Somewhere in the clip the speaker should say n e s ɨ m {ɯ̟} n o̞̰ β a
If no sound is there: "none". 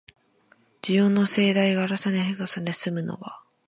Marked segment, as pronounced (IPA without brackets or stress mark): ɯ̟